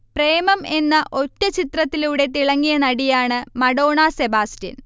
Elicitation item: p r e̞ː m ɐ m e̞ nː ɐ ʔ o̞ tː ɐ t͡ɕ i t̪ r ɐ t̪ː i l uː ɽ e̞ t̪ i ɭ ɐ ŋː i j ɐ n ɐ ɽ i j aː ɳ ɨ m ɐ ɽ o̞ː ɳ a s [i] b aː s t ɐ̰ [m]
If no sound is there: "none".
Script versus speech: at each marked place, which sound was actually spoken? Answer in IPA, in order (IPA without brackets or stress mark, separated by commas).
e, n